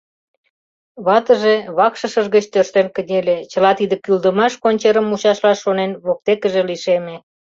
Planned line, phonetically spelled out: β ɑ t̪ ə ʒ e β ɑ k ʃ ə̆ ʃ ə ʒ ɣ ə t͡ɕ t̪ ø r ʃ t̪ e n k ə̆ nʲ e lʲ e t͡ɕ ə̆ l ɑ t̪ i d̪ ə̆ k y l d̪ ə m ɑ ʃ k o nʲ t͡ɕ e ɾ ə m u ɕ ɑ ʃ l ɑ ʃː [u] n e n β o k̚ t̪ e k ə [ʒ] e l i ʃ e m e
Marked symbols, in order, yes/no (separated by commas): no, yes